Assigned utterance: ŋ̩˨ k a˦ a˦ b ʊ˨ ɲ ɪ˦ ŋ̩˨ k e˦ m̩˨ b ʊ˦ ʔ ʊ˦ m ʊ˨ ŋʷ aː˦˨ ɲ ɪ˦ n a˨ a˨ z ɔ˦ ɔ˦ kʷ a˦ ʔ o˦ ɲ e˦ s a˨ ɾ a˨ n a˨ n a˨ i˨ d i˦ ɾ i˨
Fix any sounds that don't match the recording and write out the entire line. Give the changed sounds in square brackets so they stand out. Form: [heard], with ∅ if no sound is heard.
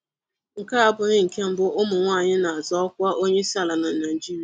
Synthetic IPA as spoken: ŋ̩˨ k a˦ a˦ b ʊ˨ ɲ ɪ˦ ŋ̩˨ k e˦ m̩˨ b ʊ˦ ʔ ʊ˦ m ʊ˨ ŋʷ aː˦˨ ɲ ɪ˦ n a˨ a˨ z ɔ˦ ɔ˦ kʷ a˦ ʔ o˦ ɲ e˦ s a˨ [l] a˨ n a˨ n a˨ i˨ [d͡ʒ] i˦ ɾ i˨